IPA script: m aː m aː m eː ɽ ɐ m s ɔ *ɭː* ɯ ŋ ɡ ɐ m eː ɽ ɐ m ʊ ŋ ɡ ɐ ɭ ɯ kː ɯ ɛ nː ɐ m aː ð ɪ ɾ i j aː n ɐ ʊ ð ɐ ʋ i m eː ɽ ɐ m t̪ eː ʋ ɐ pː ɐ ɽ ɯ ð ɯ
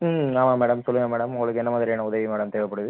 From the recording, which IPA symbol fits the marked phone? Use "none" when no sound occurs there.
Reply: lː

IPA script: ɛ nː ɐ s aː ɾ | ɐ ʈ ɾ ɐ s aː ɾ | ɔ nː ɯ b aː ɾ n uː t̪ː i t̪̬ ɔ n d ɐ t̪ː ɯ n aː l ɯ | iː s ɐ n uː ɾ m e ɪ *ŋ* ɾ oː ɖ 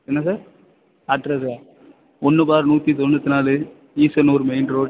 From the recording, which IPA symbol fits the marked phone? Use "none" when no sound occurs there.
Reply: n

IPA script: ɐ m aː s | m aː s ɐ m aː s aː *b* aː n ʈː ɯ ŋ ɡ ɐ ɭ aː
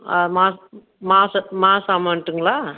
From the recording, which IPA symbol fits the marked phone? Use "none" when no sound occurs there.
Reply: m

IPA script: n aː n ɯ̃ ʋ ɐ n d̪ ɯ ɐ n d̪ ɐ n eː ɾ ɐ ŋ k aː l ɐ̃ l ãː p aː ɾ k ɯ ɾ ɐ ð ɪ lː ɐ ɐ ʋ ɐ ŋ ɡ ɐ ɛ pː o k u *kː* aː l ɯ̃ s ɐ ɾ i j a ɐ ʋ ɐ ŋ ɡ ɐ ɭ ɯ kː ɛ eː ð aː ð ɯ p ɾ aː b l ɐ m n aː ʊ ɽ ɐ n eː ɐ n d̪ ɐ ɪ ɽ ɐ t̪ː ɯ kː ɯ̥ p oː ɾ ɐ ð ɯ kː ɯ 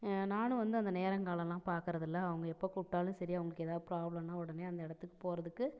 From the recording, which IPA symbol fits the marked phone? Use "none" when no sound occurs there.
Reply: ʈː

